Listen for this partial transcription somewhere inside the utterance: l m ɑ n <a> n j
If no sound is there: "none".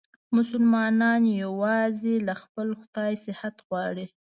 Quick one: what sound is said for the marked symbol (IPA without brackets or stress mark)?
ɑ